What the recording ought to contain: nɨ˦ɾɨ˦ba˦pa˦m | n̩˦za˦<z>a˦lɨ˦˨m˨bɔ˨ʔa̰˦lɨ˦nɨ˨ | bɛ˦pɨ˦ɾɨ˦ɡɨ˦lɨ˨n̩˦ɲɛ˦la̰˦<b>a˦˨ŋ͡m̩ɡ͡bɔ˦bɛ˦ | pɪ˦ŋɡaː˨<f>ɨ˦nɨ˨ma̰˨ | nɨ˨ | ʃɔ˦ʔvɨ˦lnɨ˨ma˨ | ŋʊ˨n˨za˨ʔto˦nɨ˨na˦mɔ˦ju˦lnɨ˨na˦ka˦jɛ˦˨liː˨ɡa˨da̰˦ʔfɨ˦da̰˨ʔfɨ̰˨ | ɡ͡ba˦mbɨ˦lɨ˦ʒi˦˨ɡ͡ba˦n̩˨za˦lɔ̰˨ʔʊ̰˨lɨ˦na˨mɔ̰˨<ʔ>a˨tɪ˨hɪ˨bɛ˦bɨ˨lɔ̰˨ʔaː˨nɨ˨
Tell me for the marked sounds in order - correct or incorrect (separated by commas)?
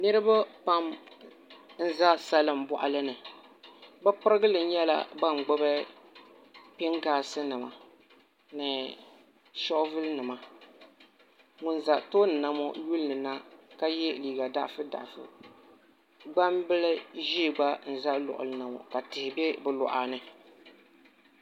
incorrect, correct, incorrect, incorrect